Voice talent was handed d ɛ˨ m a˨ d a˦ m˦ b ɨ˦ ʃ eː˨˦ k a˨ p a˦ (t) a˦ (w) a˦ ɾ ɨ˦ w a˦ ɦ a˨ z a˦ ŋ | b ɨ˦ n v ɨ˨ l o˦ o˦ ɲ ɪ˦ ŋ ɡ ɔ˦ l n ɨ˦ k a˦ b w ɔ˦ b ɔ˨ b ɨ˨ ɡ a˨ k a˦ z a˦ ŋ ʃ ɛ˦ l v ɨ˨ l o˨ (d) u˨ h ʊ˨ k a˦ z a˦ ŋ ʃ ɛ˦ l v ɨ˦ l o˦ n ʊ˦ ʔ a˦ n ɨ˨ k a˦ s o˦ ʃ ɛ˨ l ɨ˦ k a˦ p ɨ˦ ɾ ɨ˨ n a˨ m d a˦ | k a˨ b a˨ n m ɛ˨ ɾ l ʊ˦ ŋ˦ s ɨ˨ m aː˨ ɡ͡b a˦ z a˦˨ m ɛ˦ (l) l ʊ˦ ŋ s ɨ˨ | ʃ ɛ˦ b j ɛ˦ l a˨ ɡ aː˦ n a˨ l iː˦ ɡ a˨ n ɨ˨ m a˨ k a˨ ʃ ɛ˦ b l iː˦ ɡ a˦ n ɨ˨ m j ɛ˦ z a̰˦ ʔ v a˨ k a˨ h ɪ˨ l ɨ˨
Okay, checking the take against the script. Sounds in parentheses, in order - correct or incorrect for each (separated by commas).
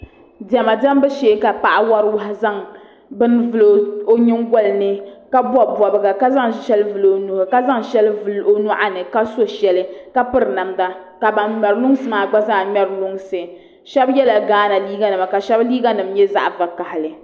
incorrect, correct, incorrect, incorrect